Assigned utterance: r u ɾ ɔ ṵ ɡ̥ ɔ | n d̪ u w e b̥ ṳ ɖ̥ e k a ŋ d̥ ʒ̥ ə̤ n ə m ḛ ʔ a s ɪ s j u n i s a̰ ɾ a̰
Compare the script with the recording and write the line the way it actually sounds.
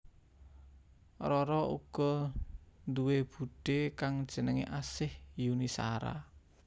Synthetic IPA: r ɔ ɾ ɔ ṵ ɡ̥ ɔ | n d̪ u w e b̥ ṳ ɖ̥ e k a ŋ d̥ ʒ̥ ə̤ n ə ŋ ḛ ʔ a s ɪ h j u n i s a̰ ɾ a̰